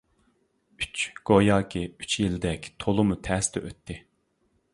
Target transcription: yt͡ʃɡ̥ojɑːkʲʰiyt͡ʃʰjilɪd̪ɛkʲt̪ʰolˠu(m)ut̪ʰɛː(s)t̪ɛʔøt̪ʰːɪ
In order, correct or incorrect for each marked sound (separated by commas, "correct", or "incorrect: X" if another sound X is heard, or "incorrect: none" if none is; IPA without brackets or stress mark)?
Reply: correct, correct